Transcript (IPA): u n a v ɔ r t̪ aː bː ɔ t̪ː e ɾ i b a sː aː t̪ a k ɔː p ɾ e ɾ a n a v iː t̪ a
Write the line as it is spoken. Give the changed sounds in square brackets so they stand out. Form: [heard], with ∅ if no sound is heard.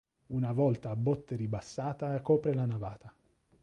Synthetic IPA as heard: u n a v ɔ [l] t̪ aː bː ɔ t̪ː e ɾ i b a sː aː t̪ a k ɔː p ɾ e [l] a n a v [aː] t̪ a